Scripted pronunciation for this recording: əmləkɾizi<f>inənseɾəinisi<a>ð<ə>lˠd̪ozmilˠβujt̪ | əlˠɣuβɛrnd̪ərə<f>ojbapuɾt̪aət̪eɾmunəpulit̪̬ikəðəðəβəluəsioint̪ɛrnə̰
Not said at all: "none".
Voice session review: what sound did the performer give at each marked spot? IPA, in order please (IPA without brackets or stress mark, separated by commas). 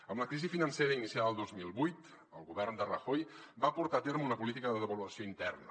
f, a, ə, x